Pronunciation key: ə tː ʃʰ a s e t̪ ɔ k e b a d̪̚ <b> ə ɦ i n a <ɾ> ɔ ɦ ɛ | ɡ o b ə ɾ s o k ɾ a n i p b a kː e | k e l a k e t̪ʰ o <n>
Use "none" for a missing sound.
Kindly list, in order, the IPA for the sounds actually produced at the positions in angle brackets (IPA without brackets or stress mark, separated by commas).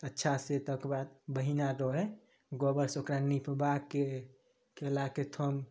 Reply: b, ɾ, m